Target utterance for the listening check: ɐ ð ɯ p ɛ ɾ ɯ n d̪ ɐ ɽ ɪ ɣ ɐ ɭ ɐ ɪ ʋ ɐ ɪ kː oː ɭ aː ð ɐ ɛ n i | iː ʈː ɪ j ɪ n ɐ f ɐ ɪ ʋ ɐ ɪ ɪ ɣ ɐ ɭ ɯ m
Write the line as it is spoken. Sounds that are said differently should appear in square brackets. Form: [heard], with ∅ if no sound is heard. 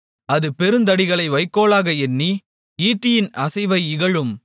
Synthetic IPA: ɐ ð ɯ p ɛ ɾ ɯ n d̪ ɐ ɽ ɪ ɣ ɐ ɭ ɐ ɪ ʋ ɐ ɪ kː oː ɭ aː [ɣ] ɐ ɛ [nː] i | iː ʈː ɪ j ɪ n ɐ [s] ɐ ɪ ʋ ɐ ɪ ɪ ɣ ɐ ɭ ɯ m